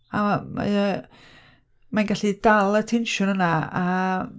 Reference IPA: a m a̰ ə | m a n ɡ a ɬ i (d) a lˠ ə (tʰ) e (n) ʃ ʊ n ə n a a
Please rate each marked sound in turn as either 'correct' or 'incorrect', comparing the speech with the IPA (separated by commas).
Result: correct, correct, correct